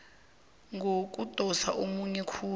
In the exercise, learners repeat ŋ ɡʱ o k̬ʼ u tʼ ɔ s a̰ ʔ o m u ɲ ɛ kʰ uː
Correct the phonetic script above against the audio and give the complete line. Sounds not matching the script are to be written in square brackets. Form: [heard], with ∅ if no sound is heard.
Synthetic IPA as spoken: ŋ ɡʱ o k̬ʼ u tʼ ɔ s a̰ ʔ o m u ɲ ɛ kʰ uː